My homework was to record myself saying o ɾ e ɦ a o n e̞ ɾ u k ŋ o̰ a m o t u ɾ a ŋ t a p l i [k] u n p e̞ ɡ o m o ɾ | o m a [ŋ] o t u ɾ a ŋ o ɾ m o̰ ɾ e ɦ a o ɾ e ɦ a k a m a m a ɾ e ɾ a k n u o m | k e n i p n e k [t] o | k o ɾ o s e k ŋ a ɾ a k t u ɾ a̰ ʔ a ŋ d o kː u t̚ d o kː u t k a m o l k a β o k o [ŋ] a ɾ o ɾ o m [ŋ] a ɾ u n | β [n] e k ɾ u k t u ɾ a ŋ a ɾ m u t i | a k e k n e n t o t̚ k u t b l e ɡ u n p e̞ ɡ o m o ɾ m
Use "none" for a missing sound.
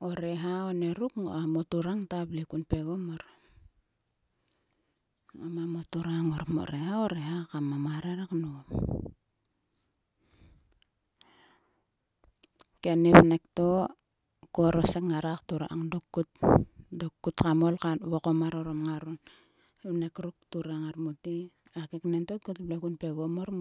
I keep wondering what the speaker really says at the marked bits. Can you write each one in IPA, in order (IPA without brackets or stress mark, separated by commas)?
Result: k, m, t, m, ŋ, n